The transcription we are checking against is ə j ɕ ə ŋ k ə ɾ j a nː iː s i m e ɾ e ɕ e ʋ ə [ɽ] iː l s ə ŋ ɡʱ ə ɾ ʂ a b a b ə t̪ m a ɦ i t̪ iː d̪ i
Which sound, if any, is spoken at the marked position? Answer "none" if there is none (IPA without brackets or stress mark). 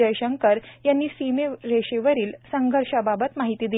ɾ